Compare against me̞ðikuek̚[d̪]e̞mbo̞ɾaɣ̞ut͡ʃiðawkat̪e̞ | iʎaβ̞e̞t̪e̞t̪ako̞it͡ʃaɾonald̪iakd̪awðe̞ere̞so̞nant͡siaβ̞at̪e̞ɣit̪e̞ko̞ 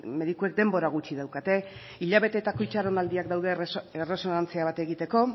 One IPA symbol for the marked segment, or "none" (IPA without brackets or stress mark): d̪